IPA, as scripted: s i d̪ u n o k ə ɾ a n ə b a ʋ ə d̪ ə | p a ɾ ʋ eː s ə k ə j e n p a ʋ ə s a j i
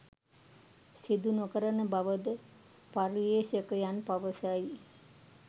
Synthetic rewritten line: s i d̪ u n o k ə ɾ ə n ə b a ʋ ə d̪ ə | p a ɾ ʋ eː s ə k ə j a n p a ʋ ə s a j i

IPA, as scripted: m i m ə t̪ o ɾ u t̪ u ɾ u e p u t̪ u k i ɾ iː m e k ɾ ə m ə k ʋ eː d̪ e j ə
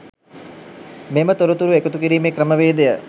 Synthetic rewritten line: m e m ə t̪ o ɾ u t̪ u ɾ u e k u t̪ u k i ɾ iː m e k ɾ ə m ə ʋ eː d̪ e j ə

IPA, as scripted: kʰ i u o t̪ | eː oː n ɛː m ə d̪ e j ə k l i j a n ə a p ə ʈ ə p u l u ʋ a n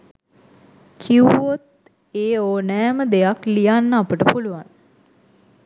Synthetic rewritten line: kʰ i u o t̪ | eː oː n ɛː m ə d̪ e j a k l i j a nː ə a p ə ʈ ə p u l u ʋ a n

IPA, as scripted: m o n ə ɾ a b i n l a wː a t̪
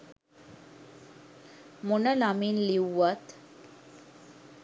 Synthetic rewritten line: m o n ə l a m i n l i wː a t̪

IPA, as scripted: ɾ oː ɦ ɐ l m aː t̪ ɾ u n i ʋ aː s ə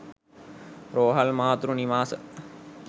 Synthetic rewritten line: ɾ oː ɦ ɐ l m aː t̪ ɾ u n i ʋ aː s ə

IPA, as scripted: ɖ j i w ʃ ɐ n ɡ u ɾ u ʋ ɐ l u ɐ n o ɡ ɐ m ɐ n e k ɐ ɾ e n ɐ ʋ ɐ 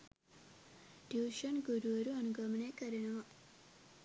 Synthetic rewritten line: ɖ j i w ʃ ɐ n ɡ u ɾ u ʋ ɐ ɾ u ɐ n u ɡ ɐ m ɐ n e k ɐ ɾ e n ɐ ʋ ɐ

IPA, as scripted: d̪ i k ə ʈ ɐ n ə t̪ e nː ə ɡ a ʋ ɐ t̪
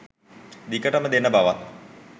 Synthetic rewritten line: d̪ i k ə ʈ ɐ m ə d̪ e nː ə b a ʋ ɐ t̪

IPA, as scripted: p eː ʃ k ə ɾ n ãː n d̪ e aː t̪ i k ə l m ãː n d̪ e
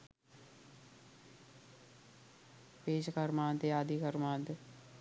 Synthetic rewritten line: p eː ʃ k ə ɾ m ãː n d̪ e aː d̪ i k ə ɾ m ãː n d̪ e

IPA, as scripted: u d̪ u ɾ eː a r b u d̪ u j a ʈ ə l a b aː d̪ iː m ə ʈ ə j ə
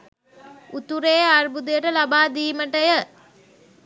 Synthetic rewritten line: u t̪ u ɾ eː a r b u d̪ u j ə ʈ ə l a b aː d̪ iː m ə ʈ ə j ə

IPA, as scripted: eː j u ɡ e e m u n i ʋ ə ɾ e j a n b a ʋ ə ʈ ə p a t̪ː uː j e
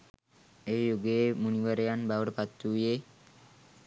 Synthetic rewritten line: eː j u ɡ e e m u n i ʋ ə ɾ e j a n b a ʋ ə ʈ ə p a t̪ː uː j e

